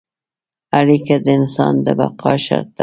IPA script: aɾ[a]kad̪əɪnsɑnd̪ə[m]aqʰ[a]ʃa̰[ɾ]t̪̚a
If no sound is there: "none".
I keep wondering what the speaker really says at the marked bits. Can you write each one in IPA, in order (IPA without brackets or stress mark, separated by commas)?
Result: i, b, ɑ, ɾ